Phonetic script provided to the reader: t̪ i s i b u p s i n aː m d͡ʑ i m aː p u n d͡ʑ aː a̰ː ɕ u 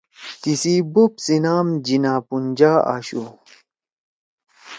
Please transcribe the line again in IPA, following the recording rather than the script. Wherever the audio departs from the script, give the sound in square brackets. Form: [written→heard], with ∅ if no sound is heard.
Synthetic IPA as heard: t̪ i s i b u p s i n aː m d͡ʑ i [m→n] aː p u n d͡ʑ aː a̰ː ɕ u